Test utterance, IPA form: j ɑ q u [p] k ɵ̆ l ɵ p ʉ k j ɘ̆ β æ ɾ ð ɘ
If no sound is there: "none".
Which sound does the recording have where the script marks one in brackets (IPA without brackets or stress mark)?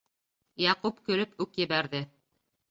p